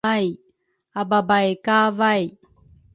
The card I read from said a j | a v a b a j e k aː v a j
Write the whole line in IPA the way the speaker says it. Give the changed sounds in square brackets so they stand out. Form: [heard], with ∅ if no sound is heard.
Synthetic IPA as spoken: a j | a [b] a b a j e k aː v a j